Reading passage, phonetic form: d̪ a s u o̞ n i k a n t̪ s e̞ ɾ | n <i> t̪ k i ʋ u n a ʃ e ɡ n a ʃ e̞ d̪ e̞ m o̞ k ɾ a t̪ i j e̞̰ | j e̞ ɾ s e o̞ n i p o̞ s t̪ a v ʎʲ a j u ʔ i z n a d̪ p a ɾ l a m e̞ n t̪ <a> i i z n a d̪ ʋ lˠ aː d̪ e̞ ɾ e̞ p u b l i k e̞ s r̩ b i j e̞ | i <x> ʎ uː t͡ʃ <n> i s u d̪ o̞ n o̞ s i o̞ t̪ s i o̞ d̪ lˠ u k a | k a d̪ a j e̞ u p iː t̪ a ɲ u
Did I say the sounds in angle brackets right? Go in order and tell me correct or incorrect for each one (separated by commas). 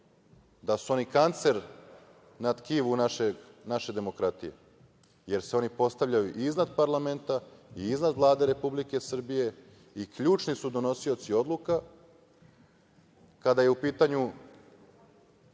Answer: incorrect, correct, incorrect, correct